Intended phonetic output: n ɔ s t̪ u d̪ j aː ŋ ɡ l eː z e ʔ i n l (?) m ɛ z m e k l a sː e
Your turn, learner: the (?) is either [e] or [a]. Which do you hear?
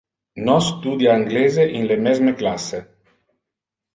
e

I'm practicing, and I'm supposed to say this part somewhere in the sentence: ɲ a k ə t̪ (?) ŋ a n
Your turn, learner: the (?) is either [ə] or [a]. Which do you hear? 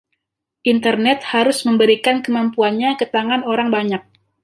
a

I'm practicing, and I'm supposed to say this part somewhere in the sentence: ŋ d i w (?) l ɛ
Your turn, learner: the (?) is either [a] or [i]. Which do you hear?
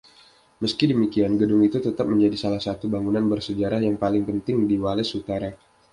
a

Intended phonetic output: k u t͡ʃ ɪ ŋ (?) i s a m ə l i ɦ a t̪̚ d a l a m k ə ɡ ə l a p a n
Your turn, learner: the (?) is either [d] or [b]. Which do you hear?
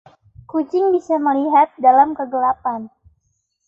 b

